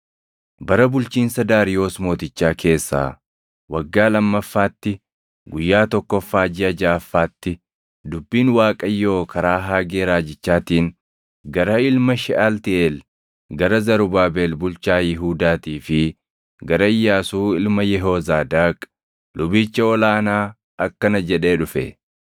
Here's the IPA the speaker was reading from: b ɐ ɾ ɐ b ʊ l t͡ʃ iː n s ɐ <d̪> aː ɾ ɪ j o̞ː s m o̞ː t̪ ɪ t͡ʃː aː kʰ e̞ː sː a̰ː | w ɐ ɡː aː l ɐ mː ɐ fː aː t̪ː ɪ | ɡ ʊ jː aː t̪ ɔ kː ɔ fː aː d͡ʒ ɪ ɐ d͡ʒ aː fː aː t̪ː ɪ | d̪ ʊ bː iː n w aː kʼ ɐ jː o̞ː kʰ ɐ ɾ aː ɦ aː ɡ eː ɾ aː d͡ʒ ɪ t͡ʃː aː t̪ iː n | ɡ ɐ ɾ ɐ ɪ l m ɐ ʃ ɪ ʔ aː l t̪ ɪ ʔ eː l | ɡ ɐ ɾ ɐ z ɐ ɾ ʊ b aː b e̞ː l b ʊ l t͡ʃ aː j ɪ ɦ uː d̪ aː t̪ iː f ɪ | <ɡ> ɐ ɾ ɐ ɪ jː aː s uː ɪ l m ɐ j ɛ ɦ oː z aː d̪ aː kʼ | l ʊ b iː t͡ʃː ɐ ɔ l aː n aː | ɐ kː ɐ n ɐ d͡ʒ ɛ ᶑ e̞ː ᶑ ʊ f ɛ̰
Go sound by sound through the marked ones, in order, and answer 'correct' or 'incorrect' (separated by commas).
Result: correct, correct